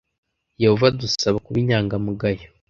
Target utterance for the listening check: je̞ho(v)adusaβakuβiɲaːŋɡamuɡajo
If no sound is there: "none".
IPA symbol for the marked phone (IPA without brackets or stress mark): v